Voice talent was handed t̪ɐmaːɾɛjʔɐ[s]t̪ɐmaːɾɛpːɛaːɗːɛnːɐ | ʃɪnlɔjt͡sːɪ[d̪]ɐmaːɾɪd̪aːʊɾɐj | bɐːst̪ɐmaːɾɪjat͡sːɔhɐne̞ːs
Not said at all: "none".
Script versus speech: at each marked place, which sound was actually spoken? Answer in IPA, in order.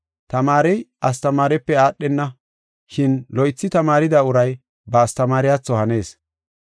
s, t̪

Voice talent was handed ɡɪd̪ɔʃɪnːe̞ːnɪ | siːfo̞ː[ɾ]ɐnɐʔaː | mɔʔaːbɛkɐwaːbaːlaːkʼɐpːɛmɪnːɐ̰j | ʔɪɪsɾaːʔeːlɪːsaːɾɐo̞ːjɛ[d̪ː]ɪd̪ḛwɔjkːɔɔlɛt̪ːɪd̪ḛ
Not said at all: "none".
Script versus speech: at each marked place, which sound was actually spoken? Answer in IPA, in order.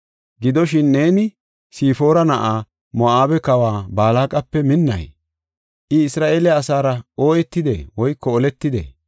ɾ, t̪ː

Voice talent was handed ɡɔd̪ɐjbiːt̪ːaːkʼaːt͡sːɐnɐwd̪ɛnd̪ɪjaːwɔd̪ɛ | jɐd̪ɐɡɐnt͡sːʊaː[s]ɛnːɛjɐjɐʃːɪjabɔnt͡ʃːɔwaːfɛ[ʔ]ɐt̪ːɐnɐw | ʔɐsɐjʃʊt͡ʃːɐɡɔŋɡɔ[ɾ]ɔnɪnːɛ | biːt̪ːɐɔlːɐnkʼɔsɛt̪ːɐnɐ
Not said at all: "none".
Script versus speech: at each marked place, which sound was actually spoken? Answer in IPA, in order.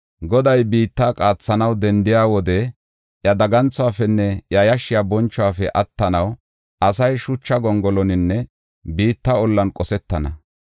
f, ʔ, l

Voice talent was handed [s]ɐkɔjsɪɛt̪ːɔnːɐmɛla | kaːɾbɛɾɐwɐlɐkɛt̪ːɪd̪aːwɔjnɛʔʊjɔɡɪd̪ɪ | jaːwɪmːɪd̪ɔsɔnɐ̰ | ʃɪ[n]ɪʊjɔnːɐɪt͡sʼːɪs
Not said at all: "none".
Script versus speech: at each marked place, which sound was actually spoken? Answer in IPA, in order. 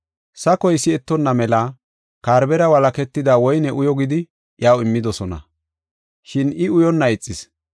s, n

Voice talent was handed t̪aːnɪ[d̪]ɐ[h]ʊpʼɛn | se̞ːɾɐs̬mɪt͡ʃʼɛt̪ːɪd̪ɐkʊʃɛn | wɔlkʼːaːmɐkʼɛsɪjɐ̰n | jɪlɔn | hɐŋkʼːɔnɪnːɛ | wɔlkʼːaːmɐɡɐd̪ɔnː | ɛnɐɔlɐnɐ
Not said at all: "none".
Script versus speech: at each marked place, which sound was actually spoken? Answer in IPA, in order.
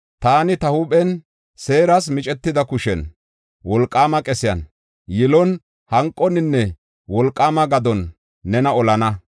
t̪, h

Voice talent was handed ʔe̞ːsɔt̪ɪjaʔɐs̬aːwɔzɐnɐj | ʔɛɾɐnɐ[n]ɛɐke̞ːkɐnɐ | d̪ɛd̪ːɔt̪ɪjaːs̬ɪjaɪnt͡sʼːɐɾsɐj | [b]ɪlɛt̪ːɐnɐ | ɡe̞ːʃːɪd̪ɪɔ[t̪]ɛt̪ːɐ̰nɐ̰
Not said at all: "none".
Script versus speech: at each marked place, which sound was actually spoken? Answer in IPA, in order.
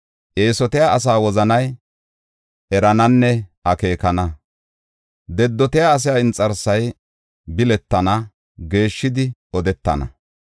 nː, b, d̪

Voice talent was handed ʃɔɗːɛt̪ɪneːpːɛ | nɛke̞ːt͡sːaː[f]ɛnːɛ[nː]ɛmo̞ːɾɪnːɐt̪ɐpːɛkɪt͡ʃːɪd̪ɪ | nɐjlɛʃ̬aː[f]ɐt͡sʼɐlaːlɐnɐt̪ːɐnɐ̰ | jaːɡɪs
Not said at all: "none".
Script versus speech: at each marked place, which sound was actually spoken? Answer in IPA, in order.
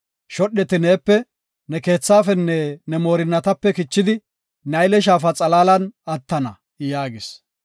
f, n, f

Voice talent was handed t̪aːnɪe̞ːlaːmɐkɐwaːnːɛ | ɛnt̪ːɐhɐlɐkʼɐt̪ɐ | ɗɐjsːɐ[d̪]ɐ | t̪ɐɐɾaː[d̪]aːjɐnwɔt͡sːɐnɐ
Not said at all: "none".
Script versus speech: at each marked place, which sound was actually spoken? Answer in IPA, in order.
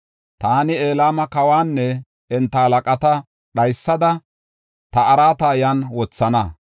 d̪, t̪

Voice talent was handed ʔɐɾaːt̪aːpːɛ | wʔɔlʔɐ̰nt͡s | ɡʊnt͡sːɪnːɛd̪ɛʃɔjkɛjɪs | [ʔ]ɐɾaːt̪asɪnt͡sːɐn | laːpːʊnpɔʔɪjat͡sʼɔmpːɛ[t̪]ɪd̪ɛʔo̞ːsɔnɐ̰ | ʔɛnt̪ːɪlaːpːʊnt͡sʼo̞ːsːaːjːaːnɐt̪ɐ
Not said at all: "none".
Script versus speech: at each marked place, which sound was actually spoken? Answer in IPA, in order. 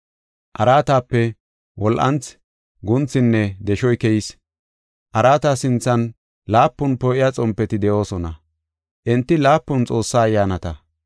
ʔ, t̪

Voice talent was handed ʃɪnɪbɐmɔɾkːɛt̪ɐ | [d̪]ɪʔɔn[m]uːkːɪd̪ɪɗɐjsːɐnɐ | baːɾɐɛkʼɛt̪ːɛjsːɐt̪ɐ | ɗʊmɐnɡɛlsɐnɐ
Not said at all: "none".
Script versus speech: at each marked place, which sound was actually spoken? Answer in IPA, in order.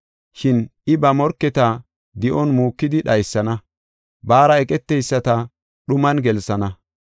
d̪, m

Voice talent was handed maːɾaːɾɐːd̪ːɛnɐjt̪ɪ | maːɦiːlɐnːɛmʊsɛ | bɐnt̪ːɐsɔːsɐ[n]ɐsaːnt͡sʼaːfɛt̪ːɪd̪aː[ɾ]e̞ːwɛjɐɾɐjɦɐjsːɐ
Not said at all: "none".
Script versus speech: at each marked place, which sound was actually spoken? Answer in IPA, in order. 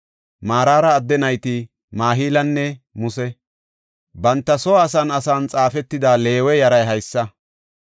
n, l

